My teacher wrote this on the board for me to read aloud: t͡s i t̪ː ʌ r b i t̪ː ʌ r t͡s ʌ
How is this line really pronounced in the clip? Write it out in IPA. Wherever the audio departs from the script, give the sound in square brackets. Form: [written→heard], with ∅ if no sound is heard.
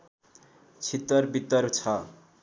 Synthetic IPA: [t͡s→t͡sʰ] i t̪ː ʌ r b i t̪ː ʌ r [t͡s→t͡sʰ] ʌ